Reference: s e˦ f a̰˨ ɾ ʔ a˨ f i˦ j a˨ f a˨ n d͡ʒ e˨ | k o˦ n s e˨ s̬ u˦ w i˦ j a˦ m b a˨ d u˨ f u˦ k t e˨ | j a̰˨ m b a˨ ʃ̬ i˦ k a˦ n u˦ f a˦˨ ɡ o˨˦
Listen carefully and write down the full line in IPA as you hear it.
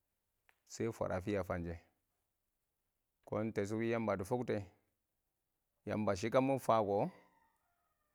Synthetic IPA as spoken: s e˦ f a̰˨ ɾ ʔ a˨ f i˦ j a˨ f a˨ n d͡ʒ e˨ | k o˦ n t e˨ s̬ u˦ w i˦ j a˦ m b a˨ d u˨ f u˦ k t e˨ | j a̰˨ m b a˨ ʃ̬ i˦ k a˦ m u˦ f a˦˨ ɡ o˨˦

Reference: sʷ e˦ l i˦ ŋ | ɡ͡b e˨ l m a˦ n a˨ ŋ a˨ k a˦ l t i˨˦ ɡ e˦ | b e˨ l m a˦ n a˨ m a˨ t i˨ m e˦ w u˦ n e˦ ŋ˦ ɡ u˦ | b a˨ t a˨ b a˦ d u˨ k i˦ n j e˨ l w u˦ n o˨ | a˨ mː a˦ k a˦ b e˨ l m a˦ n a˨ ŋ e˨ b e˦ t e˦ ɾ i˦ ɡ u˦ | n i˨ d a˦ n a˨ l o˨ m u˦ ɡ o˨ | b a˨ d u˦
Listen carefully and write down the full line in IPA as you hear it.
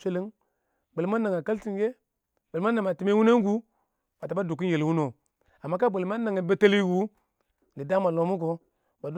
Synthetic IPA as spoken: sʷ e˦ l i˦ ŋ | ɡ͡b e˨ l m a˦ n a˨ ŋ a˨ k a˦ l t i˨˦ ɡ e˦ | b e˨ l m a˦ n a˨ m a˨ t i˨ m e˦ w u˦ n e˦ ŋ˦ ɡ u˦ | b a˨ t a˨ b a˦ d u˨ k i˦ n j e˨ l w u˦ n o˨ | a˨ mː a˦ k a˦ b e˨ l m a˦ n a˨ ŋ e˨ b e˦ t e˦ l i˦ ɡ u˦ | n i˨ d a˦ m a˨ l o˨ m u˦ ɡ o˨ | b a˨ d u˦

